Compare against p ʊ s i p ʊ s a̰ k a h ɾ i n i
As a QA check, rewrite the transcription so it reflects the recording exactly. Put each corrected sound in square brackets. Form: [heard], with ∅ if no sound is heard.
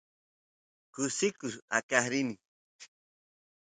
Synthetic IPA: [k] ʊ s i [k] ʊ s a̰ k a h ɾ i n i

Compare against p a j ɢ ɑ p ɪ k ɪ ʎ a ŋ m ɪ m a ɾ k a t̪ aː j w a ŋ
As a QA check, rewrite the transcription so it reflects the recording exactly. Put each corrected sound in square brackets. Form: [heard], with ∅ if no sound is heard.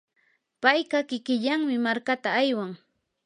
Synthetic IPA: p a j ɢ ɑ [k] ɪ k ɪ ʎ a ŋ m ɪ m a ɾ k a t̪ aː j w a ŋ

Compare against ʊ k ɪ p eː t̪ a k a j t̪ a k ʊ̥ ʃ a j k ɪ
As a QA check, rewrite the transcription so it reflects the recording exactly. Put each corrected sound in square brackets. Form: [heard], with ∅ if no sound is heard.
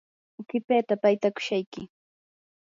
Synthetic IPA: ʊ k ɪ p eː t̪ a [p] a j t̪ a k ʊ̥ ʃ a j k ɪ

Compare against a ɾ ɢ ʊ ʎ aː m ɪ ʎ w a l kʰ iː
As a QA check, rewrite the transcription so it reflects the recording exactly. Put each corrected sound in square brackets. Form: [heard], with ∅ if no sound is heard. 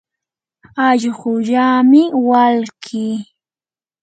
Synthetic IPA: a [ʎ] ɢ ʊ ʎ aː m ɪ [∅] w a l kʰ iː

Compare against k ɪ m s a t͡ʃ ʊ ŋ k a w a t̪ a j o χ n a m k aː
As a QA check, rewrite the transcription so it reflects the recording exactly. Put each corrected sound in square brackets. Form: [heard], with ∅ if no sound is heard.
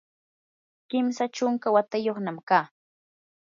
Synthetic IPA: k ɪ m s a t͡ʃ ʊ ŋ k a w a t̪ a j o χ n a m k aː

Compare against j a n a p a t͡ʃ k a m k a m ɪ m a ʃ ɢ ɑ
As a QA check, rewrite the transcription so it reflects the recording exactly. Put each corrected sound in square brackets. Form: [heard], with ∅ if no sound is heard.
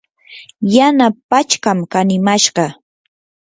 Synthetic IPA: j a n a p a t͡ʃ k a m k a [n] ɪ m a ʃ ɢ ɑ

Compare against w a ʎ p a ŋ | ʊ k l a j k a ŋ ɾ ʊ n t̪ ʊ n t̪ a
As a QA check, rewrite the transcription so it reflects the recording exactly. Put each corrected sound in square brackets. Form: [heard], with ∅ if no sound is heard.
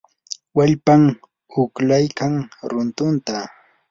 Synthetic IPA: w a ʎ p a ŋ | ʊ k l a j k a ŋ ɾ ʊ n t̪ ʊ n t̪ a

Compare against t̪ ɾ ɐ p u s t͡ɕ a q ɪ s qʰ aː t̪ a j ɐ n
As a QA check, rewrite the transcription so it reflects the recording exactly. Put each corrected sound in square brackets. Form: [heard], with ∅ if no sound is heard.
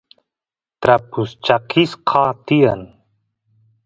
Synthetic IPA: t̪ ɾ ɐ p u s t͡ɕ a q [i] s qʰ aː t̪ [i] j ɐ n

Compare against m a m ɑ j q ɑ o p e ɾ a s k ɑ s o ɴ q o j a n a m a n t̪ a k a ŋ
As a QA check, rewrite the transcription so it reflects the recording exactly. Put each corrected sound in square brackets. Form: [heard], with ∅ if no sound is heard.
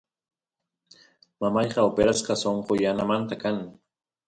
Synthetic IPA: m a m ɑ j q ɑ o p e ɾ a s [q] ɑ s o ɴ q o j a n a m a n t̪ a k a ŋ

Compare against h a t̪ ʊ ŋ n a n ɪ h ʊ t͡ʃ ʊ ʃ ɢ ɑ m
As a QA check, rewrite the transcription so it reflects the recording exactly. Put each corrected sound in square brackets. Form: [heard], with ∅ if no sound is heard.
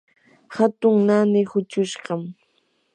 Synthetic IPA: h a t̪ ʊ ŋ n a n ɪ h ʊ t͡ʃ ʊ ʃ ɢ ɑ m

